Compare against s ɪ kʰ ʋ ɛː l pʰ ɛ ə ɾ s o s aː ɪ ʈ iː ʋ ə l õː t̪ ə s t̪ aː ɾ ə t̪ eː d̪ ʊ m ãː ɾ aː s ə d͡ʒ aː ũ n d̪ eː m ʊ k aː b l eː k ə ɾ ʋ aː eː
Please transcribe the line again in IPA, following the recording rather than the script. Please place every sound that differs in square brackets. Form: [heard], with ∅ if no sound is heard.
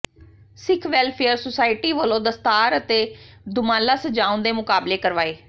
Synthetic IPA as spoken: s ɪ kʰ ʋ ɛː l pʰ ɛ ə ɾ s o s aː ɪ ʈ iː ʋ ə l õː [d̪] ə s t̪ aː ɾ ə t̪ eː d̪ ʊ m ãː [l] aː s ə d͡ʒ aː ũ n d̪ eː m ʊ k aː b l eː k ə ɾ ʋ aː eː